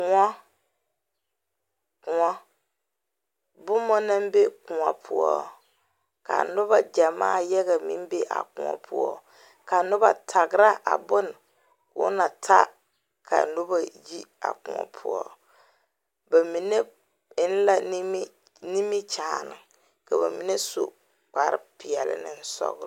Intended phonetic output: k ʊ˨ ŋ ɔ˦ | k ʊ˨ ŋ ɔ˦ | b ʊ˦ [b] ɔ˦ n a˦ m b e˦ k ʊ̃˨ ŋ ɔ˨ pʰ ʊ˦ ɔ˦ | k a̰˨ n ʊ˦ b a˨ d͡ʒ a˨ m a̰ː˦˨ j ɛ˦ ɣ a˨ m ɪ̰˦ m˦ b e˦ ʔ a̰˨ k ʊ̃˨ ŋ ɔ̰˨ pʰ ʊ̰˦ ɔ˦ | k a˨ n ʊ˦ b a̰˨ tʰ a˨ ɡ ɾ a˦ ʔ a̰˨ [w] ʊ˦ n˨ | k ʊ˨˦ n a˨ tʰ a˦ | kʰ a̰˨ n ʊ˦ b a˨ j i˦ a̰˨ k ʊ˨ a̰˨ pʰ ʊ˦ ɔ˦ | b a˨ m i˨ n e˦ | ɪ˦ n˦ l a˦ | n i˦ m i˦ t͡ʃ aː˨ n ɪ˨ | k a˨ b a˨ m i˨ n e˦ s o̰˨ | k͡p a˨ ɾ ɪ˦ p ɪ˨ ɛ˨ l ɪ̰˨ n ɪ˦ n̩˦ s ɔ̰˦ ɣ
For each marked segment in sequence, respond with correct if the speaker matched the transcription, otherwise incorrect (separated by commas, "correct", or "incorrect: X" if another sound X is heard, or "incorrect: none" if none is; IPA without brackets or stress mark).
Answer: incorrect: m, incorrect: b